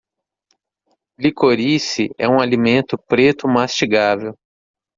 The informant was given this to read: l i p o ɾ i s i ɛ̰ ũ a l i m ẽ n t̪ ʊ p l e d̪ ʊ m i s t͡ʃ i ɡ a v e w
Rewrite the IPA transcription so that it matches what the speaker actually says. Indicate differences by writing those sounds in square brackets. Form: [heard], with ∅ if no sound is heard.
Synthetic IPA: l i [k] o ɾ i s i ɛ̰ ũ a l i m ẽ n t̪ ʊ p [ɾ] e [t̪] ʊ m [a] s t͡ʃ i ɡ a v e w

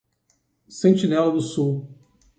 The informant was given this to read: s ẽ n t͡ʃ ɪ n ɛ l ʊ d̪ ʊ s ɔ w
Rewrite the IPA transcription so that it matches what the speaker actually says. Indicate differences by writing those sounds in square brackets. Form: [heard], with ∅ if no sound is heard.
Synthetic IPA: s ẽ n t͡ʃ [i] n ɛ l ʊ d̪ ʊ s [u] w

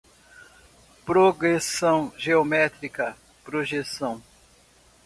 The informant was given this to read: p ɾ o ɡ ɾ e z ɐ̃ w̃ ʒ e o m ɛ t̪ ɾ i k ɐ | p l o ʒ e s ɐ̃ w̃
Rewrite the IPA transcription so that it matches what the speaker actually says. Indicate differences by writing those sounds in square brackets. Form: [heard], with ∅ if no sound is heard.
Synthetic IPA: p ɾ o ɡ ɾ e [s] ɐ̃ w̃ ʒ e o m ɛ t̪ ɾ i k ɐ | p [ɾ] o ʒ e s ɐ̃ w̃

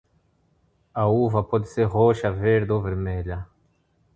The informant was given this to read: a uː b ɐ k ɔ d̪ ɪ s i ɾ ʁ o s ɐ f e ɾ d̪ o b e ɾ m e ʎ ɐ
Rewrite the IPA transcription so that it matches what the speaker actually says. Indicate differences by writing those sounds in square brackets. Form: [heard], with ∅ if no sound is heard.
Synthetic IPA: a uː [v] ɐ [p] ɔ d̪ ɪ s [e] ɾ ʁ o [ʃ] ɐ [v] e ɾ d̪ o [v] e ɾ m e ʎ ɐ

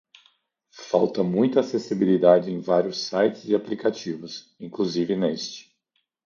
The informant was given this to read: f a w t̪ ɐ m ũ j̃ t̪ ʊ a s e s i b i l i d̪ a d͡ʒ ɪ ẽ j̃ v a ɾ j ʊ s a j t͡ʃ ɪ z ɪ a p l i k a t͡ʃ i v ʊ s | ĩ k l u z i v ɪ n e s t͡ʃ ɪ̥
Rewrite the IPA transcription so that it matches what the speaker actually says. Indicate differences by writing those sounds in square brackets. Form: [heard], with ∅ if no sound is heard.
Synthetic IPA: f a w t̪ ɐ m ũ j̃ t̪ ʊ a s e s i b i l i d̪ a d͡ʒ ɪ ẽ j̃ v a ɾ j ʊ s a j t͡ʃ ɪ z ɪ a p l i k a t͡ʃ i v ʊ s | ĩ k l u z i v ɪ n e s t͡ʃ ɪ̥

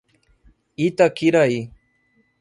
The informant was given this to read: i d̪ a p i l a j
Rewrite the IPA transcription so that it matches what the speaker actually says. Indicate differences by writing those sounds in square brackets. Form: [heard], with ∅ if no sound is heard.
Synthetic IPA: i [t̪] a [k] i [ɾ] a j

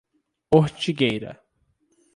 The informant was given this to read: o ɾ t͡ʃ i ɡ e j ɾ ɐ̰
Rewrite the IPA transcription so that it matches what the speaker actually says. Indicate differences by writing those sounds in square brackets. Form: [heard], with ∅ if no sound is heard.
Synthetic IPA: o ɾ t͡ʃ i ɡ e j ɾ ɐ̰

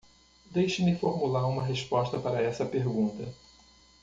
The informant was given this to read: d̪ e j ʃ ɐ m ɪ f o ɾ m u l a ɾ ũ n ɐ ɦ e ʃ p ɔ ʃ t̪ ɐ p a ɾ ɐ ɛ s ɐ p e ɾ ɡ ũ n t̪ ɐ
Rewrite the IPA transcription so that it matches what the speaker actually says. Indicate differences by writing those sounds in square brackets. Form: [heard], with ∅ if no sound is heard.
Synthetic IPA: d̪ e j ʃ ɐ m ɪ f o ɾ m u l a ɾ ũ [m] ɐ ɦ e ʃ p ɔ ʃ t̪ ɐ p a ɾ ɐ ɛ s ɐ p e ɾ ɡ ũ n t̪ ɐ

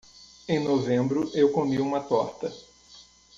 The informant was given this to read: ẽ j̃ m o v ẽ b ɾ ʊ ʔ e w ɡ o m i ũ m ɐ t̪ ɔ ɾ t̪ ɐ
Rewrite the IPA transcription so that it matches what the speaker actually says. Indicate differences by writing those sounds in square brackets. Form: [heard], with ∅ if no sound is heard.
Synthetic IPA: ẽ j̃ [n] o v ẽ b ɾ ʊ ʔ e w [k] o m i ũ m ɐ t̪ ɔ ɾ t̪ ɐ

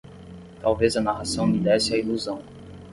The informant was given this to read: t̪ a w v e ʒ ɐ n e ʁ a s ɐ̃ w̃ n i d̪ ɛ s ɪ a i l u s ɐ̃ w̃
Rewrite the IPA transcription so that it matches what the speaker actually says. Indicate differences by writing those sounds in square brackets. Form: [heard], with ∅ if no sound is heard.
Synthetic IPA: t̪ a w v e [z] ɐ n [a] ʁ a s ɐ̃ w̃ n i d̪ ɛ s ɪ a i l u [z] ɐ̃ w̃

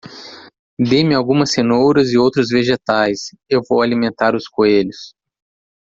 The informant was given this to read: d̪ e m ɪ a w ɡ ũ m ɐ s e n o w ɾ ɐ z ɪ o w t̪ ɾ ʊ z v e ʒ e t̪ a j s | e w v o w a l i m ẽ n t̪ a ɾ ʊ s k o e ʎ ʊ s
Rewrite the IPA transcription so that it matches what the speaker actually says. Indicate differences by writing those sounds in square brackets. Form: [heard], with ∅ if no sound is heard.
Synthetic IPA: d̪ e m ɪ a w ɡ ũ m ɐ s e n o w ɾ ɐ z ɪ o w t̪ ɾ ʊ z v e ʒ e t̪ a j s | e w v o w a l i m ẽ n t̪ a ɾ ʊ s k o e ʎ ʊ s

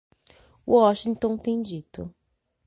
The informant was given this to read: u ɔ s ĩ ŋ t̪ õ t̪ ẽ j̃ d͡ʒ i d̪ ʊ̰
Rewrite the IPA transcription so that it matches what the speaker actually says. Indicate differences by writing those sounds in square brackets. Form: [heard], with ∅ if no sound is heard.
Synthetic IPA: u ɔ [ʃ] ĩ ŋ t̪ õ t̪ ẽ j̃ d͡ʒ i [t̪] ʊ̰

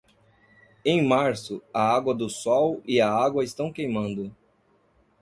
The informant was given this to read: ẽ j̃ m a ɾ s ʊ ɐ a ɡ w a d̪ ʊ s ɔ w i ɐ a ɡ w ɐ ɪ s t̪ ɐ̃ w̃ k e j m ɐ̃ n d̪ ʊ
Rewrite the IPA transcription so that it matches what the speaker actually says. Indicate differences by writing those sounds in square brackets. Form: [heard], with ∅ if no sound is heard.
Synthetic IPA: ẽ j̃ m a ɾ s ʊ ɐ a ɡ w [ɐ] d̪ ʊ s ɔ w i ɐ a ɡ w ɐ ɪ s t̪ ɐ̃ w̃ k e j m ɐ̃ n d̪ ʊ

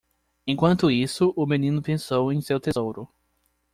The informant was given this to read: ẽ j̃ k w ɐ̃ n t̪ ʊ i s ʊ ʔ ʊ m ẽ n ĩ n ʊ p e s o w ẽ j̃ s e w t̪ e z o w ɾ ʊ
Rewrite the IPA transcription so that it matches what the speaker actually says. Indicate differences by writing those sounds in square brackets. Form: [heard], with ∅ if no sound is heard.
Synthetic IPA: ẽ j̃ k w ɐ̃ n t̪ ʊ i s ʊ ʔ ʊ m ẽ n ĩ n ʊ p [ẽ] s o w ẽ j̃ s e w t̪ e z o w ɾ ʊ

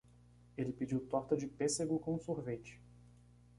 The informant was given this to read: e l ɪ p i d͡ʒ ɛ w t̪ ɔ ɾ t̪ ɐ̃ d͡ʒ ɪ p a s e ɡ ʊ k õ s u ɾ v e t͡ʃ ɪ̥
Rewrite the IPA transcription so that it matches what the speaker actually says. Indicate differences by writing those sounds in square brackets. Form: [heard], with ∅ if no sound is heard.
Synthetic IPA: e l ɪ p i d͡ʒ [i] w t̪ ɔ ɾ t̪ [ɐ] d͡ʒ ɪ p [e] s e ɡ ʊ k õ s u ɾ v e t͡ʃ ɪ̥

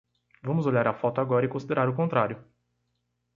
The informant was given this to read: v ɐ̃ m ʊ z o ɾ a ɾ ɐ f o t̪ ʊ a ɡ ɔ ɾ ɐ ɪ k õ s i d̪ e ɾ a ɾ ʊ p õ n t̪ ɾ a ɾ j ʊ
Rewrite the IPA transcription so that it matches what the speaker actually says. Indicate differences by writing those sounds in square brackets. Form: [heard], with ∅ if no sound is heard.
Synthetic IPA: v ɐ̃ m ʊ z o [ʎ] a ɾ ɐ f [ɔ] t̪ ʊ a ɡ ɔ ɾ ɐ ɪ k õ s i d̪ e ɾ a ɾ ʊ [k] õ n t̪ ɾ a ɾ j ʊ

